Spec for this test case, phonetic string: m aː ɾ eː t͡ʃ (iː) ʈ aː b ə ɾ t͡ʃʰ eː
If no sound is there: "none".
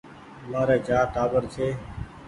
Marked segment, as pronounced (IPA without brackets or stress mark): aː